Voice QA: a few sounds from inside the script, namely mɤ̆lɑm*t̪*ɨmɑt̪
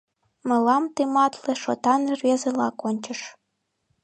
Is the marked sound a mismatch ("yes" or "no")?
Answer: no